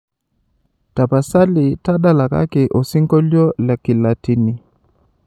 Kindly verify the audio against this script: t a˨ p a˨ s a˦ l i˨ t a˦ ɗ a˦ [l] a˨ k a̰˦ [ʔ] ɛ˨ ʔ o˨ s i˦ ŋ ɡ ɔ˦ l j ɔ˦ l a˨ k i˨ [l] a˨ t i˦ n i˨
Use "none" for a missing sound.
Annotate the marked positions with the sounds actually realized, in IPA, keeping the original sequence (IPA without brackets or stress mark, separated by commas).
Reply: l, k, l